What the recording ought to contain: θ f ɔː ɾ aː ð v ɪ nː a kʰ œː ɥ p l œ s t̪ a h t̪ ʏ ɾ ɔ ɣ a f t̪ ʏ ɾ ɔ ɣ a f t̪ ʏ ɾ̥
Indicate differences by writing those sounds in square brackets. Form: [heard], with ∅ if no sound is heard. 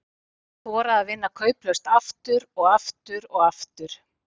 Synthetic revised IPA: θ [v] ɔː ɾ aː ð v ɪ nː a kʰ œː ɥ p l œ s t̪ a [f] t̪ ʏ ɾ ɔ ɣ a f t̪ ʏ ɾ ɔ ɣ a f t̪ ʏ ɾ̥